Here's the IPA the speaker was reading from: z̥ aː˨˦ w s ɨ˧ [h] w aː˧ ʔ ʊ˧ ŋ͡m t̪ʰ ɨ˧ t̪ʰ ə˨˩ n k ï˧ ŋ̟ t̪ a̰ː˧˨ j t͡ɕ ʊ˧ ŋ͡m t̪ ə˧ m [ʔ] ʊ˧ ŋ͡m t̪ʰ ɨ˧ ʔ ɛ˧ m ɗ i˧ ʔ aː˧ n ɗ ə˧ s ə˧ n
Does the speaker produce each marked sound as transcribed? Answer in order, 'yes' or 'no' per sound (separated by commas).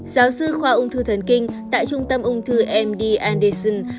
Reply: no, yes